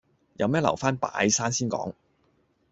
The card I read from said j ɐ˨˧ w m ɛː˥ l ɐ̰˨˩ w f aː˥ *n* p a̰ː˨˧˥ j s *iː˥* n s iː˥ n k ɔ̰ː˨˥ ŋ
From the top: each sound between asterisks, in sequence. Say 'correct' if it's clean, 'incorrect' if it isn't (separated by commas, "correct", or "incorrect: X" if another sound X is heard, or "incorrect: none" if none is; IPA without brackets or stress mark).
correct, incorrect: aː˥